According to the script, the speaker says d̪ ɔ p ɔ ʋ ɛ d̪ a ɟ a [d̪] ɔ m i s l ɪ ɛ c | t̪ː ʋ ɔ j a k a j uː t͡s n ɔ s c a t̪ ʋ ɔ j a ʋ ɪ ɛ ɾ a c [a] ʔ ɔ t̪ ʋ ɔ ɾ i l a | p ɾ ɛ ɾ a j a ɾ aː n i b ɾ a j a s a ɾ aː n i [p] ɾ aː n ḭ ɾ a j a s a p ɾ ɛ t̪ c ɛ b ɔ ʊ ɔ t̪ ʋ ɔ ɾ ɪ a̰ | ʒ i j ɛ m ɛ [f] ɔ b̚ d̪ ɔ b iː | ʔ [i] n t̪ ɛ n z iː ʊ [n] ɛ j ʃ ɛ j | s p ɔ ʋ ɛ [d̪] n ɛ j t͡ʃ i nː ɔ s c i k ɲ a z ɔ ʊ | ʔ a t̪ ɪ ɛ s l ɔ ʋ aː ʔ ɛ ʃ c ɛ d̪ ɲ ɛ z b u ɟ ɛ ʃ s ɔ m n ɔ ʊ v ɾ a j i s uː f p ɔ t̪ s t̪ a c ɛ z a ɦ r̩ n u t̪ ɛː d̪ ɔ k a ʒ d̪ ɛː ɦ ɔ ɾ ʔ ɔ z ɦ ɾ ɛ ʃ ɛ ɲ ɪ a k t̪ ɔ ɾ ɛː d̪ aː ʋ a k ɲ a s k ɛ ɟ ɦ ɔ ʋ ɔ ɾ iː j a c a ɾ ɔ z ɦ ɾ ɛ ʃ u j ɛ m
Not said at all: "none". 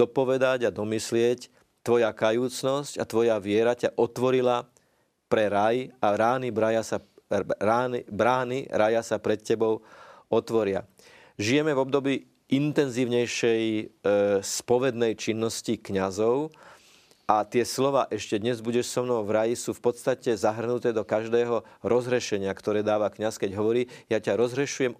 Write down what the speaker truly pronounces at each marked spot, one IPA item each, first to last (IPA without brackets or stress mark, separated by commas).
d̪, a, b, v, i, ɲ, d̪